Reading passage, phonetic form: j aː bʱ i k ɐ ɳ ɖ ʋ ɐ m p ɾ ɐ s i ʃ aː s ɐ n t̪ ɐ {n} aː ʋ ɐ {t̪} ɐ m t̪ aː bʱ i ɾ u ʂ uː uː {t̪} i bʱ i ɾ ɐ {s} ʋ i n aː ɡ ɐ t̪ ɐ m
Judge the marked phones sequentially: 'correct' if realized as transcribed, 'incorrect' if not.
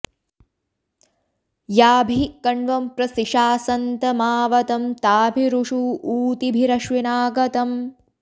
incorrect, correct, correct, incorrect

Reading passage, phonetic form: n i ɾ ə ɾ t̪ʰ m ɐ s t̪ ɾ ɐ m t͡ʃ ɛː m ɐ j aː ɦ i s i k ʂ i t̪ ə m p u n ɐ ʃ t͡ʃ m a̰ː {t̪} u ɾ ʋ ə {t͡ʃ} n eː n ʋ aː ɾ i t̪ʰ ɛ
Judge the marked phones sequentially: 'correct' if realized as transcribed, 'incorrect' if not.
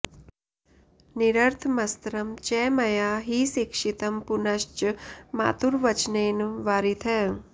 correct, correct

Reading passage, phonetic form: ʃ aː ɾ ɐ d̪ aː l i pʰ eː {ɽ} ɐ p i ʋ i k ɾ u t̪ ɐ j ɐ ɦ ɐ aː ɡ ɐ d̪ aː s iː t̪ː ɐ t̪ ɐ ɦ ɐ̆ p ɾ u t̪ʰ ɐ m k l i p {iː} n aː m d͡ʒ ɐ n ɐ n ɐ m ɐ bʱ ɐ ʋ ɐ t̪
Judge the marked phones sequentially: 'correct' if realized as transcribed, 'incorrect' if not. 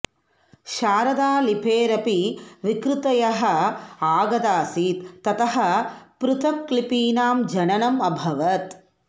incorrect, correct

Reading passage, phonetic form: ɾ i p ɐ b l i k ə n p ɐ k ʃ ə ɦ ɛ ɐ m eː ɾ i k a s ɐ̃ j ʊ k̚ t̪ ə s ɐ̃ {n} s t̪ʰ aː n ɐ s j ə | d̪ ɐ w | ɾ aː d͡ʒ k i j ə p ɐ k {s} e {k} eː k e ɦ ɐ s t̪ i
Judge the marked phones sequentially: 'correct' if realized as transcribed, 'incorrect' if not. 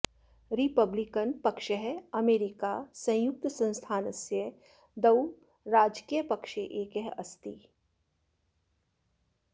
correct, incorrect, incorrect

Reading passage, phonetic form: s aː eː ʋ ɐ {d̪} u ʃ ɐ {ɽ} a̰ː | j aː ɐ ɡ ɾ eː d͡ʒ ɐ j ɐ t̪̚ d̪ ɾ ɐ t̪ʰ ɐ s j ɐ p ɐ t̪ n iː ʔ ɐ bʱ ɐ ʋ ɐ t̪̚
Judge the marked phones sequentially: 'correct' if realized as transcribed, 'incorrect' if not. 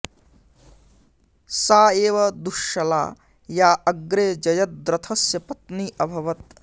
correct, incorrect

